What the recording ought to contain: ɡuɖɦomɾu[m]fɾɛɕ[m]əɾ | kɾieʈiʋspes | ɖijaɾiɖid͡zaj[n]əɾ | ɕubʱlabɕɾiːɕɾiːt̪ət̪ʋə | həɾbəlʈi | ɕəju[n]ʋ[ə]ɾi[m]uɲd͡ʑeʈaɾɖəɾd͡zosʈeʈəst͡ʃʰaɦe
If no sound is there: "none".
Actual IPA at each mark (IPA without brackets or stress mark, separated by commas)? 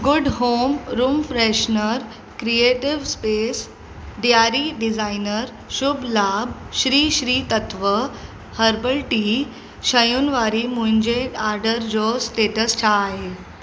m, n, n, n, a, m